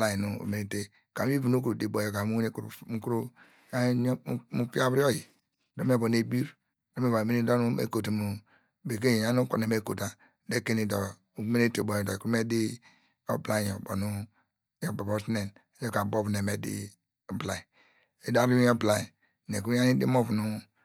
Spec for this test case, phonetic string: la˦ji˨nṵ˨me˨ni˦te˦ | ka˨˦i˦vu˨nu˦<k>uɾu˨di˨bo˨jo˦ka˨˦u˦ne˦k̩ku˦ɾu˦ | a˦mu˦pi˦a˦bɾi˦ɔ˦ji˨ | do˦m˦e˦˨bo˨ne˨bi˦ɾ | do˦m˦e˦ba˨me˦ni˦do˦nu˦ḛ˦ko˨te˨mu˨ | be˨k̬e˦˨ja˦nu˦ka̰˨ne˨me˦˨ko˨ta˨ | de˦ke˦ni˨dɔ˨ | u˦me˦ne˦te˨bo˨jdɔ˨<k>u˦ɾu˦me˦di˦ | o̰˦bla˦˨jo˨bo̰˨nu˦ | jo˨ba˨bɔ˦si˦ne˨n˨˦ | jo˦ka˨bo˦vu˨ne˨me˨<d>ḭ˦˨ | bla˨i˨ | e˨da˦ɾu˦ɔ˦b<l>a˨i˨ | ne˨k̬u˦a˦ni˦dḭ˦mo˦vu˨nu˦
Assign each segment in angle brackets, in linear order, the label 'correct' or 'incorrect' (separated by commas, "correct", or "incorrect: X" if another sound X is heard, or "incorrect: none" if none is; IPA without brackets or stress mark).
correct, correct, correct, correct